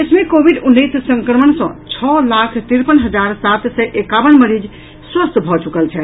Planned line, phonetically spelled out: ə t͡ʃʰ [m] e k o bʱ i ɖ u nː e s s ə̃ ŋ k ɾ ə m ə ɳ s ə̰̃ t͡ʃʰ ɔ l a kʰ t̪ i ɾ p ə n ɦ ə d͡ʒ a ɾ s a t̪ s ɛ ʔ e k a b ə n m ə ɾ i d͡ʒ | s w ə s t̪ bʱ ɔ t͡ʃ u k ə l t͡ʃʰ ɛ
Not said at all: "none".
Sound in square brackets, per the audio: m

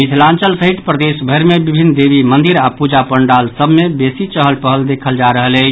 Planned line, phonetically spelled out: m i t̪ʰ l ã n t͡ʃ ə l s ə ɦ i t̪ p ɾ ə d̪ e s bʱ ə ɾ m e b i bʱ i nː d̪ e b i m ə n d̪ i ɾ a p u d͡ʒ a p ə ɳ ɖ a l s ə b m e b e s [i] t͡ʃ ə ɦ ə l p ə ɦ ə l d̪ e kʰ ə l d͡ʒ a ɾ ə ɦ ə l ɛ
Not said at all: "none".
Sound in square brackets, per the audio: i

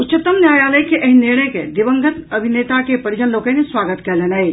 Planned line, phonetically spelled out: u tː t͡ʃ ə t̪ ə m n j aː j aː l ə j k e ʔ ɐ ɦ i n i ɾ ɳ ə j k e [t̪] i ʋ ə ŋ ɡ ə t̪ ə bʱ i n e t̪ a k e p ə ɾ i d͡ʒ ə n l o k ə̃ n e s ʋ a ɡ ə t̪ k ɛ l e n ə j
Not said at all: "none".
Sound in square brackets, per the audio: d̪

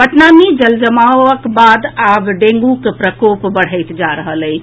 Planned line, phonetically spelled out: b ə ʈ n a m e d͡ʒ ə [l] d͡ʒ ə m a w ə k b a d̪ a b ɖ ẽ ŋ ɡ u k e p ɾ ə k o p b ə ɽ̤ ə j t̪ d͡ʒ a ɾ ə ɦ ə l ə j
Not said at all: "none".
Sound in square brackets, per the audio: l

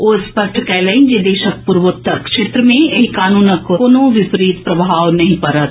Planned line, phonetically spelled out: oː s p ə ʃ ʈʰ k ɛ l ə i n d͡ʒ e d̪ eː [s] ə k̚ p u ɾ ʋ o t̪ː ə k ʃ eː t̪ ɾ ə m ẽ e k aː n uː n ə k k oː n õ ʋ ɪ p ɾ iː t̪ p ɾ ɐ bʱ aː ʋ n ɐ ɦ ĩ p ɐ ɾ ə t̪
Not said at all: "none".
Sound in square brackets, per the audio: ʃ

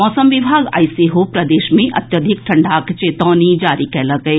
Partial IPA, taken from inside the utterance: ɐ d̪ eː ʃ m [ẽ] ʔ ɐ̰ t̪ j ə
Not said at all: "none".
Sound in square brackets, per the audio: ẽ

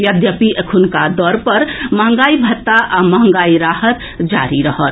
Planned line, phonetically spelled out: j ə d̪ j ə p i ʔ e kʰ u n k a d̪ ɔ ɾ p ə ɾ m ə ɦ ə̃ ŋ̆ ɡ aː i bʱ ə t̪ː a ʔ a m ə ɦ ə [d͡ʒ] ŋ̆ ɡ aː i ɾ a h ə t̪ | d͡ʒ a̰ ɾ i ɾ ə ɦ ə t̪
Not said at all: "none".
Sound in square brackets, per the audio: none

